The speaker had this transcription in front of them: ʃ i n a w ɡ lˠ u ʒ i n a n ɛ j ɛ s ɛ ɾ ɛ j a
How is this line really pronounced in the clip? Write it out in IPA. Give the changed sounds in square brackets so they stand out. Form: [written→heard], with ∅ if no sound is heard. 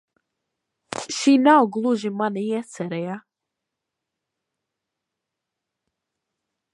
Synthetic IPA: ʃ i n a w ɡ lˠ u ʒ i [n→m] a n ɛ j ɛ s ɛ ɾ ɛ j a